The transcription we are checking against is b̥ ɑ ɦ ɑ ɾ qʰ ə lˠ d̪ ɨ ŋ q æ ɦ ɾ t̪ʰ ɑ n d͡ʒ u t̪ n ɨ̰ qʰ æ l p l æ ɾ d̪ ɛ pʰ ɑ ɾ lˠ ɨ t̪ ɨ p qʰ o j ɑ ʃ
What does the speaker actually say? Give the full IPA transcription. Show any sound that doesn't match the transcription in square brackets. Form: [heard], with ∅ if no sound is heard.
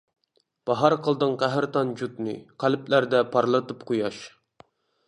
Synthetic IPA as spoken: b̥ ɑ ɦ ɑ ɾ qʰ ə lˠ d̪ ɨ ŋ q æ ɦ ɾ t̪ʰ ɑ n d͡ʒ u t̪ n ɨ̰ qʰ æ l p l æ ɾ d̪ ɛ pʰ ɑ ɾ lˠ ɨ t̪ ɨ p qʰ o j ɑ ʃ